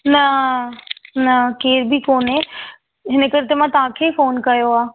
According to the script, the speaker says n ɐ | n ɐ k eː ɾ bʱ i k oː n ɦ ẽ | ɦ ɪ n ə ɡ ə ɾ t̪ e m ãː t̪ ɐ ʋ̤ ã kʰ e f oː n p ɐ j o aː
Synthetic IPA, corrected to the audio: n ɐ | n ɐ k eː ɾ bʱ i k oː n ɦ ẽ | ɦ ɪ n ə k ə ɾ t̪ e m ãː t̪ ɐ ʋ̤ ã kʰ e f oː n k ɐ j o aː